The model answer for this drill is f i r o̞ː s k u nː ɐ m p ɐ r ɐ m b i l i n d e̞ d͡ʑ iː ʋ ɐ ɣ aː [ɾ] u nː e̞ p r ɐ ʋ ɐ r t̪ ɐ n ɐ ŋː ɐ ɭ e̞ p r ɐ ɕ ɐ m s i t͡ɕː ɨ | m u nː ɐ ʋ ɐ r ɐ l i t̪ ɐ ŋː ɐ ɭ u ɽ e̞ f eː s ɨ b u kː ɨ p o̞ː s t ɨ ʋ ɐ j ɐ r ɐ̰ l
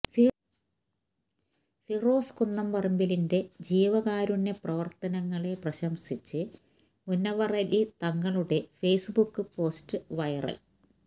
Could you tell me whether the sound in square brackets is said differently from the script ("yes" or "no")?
no